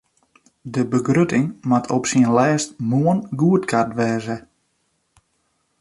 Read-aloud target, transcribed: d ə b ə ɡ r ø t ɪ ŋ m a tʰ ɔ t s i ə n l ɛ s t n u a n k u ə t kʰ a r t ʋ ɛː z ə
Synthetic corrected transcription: d ə b ə ɡ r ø t ɪ ŋ m a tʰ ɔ p s i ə n l ɛː s t m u ə n ɡ u ə t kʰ a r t ʋ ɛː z ə